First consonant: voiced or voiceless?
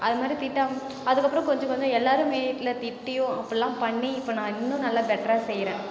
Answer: voiced